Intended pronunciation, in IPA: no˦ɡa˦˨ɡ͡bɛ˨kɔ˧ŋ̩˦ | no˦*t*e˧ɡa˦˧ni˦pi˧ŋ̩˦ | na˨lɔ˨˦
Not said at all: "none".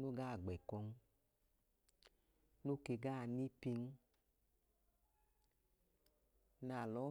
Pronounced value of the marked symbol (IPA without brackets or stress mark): k